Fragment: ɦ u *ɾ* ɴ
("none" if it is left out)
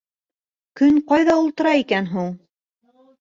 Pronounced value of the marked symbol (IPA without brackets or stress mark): none